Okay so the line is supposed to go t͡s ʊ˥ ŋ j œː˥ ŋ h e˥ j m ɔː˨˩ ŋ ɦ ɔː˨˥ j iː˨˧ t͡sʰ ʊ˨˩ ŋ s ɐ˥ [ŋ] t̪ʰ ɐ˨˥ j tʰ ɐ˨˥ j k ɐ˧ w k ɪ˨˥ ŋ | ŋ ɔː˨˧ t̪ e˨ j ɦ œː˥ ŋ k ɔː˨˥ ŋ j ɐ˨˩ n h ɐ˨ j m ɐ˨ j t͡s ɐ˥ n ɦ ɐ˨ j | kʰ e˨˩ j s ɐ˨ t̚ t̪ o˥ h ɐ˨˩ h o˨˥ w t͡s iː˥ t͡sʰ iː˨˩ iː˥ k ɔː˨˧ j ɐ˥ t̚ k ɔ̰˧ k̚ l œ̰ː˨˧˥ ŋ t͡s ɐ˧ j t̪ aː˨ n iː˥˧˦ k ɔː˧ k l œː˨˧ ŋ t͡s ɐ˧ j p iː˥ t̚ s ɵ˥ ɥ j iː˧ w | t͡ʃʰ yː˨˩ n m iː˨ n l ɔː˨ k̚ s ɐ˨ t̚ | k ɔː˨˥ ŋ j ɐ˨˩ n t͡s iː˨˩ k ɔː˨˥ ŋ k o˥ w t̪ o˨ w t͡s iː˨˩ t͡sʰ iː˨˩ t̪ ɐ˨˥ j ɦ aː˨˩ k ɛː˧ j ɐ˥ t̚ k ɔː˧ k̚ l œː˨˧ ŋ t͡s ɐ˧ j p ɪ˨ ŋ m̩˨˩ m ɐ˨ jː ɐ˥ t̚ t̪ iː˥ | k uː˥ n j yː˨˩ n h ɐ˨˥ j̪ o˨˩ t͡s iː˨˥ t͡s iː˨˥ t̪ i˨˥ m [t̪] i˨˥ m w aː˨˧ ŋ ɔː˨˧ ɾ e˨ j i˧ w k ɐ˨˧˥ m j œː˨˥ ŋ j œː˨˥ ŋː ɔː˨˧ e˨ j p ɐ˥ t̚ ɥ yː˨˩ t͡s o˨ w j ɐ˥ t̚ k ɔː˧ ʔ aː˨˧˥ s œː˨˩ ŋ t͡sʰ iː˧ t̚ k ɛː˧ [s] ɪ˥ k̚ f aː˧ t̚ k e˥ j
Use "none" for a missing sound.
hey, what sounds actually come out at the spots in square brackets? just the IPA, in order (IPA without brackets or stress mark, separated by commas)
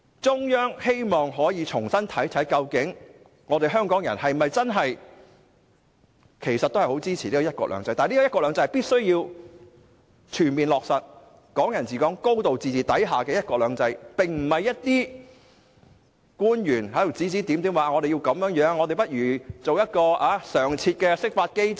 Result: n, t̪, s